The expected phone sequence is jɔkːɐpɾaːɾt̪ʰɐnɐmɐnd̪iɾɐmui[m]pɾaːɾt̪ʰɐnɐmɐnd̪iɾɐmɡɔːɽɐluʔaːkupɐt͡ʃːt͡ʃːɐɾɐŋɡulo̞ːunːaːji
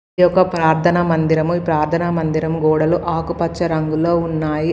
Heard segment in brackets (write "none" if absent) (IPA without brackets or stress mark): none